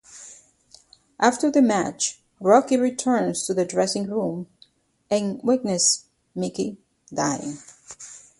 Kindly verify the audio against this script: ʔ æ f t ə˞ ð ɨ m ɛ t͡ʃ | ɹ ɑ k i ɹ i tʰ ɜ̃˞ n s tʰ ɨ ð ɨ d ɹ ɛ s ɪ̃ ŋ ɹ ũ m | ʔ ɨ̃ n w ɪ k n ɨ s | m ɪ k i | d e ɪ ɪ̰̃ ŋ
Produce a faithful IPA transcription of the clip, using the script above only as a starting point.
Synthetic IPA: ʔ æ f t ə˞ ð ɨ m æ t͡ʃ | ɹ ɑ k i ɹ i tʰ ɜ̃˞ n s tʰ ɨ ð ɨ d ɹ ɛ s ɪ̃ ŋ ɹ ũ m | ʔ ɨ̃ n w ɪ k n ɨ s | m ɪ k i | d a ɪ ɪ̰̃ ŋ